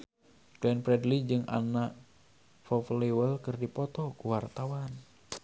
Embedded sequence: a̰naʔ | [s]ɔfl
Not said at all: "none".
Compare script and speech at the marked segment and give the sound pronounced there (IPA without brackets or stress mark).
f